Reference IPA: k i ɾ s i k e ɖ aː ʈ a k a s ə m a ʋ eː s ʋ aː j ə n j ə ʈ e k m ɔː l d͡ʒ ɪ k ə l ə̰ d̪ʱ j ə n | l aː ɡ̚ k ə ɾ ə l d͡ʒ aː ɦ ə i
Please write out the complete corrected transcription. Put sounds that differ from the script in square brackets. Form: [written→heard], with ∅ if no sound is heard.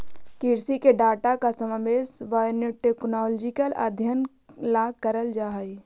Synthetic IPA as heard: k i ɾ s i k e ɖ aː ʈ a k a s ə m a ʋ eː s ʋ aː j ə n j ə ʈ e k [m→n] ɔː l d͡ʒ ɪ k ə l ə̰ d̪ʱ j ə n | l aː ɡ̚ k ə ɾ ə l d͡ʒ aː ɦ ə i

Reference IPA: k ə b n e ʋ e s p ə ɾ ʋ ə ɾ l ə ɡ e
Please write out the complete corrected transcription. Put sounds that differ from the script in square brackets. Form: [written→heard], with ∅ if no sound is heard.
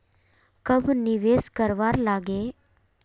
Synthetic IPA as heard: k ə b n [e→i] ʋ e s [p→k] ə ɾ ʋ [ə→a] ɾ l [ə→a] ɡ e

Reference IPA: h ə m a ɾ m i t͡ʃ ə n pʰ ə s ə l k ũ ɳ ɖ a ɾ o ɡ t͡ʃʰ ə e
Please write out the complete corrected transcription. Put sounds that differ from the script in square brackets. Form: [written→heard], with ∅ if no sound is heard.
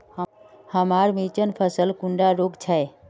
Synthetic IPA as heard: h ə m a ɾ m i t͡ʃ ə n pʰ ə s ə l k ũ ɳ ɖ a ɾ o ɡ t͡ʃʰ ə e

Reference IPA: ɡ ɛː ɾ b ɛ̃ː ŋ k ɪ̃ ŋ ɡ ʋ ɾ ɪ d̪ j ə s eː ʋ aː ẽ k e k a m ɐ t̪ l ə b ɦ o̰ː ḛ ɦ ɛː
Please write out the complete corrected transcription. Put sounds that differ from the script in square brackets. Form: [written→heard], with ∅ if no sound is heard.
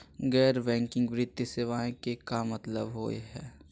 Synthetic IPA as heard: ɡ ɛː ɾ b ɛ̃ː ŋ k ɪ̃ ŋ ɡ ʋ ɾ ɪ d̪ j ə s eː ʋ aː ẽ k e k a m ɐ t̪ l ə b ɦ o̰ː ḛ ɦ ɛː

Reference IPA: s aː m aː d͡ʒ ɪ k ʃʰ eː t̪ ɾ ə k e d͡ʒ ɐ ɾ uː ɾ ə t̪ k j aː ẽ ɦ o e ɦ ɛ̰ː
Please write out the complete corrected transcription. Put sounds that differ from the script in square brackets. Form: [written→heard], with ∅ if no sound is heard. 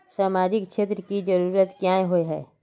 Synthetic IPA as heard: s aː m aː d͡ʒ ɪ k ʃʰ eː t̪ ɾ ə k [e→i] d͡ʒ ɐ ɾ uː ɾ ə t̪ k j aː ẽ ɦ o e ɦ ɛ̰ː

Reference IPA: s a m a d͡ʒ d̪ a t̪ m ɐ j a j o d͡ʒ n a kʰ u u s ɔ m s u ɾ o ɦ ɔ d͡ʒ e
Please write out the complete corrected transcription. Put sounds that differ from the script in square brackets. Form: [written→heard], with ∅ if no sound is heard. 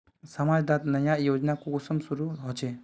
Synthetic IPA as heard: s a m a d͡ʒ d̪ a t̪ [m→n] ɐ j a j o d͡ʒ n a [kʰ→k] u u s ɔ m s u ɾ [o→u] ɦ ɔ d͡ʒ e

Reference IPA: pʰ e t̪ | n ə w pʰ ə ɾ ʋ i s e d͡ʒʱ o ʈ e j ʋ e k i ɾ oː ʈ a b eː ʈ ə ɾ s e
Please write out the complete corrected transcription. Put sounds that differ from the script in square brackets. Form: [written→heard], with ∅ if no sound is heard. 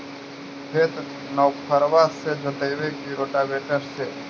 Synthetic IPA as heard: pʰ e t̪ | n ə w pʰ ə ɾ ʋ [i→a] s e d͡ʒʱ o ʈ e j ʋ e k i ɾ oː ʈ a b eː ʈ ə ɾ s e

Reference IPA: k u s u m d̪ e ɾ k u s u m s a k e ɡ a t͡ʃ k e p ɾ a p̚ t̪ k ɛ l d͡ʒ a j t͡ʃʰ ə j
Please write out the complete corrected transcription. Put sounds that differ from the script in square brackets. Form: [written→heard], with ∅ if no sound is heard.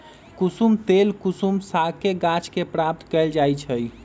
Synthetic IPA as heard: k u s u m [d̪→t̪] e [ɾ→l] k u s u m s a k e ɡ a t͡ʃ k e p ɾ a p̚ t̪ k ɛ l d͡ʒ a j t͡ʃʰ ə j

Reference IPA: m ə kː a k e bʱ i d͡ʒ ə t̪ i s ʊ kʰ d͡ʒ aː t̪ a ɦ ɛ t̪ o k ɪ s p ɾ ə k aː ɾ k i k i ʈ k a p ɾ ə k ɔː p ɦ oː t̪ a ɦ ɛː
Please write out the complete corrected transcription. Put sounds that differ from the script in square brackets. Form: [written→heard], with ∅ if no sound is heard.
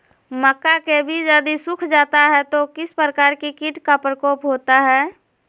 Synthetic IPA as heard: m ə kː a k e bʱ i d͡ʒ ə [t̪→d̪] i s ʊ kʰ d͡ʒ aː t̪ a ɦ ɛ t̪ o k ɪ s p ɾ ə k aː ɾ k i k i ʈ k a p ɾ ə k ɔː p ɦ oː t̪ a ɦ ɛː

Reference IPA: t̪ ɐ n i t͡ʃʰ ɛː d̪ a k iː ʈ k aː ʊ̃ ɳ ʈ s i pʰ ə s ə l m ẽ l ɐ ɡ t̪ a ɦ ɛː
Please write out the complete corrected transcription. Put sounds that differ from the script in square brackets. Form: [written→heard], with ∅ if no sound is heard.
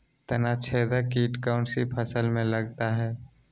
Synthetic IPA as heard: t̪ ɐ n [i→a] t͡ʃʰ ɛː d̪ a k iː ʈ k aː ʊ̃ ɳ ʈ s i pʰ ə s ə l m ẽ l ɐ ɡ t̪ a ɦ ɛː

